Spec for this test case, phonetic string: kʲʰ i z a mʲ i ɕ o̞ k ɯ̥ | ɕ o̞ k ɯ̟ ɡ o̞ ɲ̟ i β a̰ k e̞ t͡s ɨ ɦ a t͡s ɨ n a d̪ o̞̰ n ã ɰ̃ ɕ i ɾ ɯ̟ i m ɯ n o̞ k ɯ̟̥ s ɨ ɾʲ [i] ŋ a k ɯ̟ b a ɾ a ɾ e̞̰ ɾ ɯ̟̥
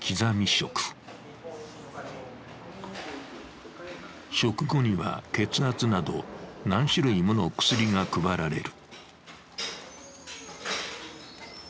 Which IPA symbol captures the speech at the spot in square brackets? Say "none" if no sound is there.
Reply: i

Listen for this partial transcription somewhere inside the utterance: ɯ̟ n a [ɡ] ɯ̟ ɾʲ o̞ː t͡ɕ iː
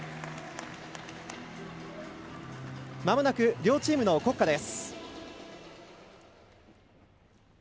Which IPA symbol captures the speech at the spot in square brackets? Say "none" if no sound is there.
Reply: k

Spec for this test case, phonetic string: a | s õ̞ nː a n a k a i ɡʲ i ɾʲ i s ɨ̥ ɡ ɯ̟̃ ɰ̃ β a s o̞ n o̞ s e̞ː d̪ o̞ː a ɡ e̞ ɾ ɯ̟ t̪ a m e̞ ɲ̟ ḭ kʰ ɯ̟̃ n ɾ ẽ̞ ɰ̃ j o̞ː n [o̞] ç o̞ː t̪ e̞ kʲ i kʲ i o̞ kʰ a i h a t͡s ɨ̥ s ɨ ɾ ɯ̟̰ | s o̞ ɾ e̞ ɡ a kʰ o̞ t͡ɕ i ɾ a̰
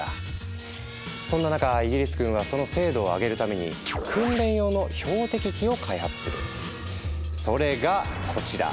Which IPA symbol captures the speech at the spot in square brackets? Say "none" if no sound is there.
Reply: o̞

